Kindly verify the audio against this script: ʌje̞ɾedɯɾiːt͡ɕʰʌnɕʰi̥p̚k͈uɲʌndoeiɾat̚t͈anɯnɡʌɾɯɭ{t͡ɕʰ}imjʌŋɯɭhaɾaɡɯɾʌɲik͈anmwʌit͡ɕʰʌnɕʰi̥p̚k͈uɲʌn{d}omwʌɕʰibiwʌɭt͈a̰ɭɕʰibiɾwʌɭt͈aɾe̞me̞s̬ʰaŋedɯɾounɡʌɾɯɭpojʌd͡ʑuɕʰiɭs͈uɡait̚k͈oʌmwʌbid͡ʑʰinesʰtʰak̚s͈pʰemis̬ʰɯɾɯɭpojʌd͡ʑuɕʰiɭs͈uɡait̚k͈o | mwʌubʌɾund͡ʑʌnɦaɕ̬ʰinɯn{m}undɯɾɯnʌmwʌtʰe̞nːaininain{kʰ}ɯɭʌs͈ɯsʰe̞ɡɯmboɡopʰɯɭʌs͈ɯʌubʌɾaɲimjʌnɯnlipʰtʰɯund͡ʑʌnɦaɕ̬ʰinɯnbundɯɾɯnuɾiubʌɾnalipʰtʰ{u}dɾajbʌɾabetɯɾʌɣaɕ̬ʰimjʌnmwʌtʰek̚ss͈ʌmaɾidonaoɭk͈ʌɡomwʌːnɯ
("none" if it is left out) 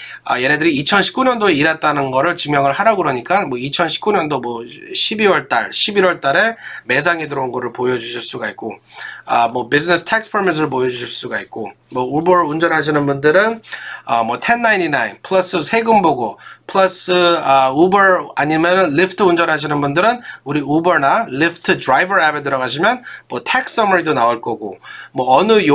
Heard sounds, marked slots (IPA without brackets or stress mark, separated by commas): t͡ɕ, d, b, pʰ, ɯ